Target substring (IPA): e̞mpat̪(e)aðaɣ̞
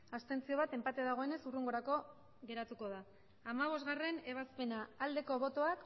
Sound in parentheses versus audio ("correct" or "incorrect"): correct